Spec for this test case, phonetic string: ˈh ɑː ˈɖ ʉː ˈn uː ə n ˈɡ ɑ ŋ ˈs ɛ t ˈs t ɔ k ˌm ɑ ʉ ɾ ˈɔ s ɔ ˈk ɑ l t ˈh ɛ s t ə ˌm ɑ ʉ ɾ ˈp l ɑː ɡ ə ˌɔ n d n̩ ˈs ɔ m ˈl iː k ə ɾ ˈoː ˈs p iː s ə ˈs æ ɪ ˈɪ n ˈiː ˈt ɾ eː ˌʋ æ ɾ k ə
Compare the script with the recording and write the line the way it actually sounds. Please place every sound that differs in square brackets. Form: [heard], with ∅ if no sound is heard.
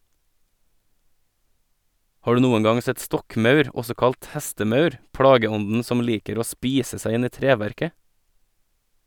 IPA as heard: ˈh ɑː ˈɖ ʉː ˈn uː ə n ˈɡ ɑ ŋ ˈs ɛ t ˈs t ɔ k ˌm ɑ ʉ ɾ ˈɔ s ɔ ˈk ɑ l t ˈh ɛ s t ə ˌm ɑ ʉ ɾ ˈp [ɽ] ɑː ɡ ə ˌɔ n d n̩ ˈs ɔ m ˈl iː k ə ɾ ˈoː ˈs p iː s ə ˈs æ ɪ ˈɪ n ˈiː ˈt ɾ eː ˌʋ æ ɾ k ə